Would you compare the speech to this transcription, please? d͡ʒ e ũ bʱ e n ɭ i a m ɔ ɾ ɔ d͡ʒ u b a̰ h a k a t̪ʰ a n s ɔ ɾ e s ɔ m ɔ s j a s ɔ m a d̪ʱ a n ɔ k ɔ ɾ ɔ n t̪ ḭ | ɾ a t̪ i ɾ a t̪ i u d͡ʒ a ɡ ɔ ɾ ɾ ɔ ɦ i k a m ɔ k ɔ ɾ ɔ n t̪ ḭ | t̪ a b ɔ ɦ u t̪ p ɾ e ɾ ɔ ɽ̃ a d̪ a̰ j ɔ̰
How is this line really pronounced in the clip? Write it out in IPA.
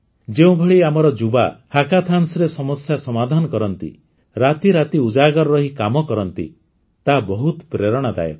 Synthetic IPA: d͡ʒ e ũ bʱ e ɭ i a m ɔ ɾ ɔ d͡ʒ u b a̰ h a k a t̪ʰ a n s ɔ ɾ e s ɔ m ɔ s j a s ɔ m a d̪ʱ a n ɔ k ɔ ɾ ɔ n t̪ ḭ | ɾ a t̪ i ɾ a t̪ i u d͡ʒ a ɡ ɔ ɾ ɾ ɔ ɦ i k a m ɔ k ɔ ɾ ɔ n t̪ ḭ | t̪ a b ɔ ɦ u t̪ p ɾ e ɾ ɔ ɽ̃ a d̪ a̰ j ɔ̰